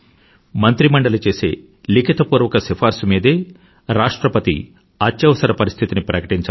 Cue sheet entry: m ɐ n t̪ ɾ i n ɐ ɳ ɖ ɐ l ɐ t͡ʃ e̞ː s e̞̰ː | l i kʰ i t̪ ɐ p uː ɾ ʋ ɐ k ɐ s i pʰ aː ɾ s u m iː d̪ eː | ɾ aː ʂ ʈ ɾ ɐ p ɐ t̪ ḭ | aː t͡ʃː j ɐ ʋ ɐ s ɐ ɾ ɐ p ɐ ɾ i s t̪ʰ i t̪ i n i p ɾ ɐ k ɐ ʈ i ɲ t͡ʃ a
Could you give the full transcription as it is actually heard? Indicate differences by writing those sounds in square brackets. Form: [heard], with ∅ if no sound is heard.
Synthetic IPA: m ɐ n t̪ ɾ i [m] ɐ ɳ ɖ ɐ l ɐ t͡ʃ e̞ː s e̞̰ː | l i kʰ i t̪ ɐ p uː ɾ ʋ ɐ k ɐ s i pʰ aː ɾ s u m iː d̪ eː | ɾ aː ʂ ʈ ɾ ɐ p ɐ t̪ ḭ | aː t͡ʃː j ɐ ʋ ɐ s ɐ ɾ ɐ p ɐ ɾ i s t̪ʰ i t̪ i n i p ɾ ɐ k ɐ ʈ i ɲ t͡ʃ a